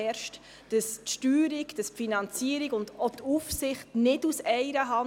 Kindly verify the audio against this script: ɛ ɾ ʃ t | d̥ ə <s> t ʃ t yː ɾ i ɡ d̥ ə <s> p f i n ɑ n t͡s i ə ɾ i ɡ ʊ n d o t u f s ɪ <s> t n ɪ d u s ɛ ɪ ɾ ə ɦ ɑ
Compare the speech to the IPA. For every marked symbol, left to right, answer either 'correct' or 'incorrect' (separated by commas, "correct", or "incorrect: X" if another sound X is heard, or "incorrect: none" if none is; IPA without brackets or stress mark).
correct, correct, incorrect: χ